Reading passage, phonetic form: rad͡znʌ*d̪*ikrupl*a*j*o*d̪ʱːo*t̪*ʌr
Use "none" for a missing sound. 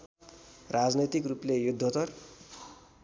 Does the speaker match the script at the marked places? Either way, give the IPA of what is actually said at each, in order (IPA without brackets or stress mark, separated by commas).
t̪, e, u, t̪